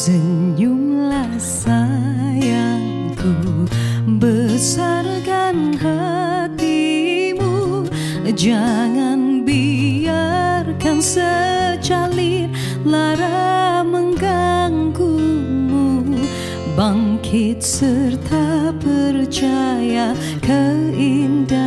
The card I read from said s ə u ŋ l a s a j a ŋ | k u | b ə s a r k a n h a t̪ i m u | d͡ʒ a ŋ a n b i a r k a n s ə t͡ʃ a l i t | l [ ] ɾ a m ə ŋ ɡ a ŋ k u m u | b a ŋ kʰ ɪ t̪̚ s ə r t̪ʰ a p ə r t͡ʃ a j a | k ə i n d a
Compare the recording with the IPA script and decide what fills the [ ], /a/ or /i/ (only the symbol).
a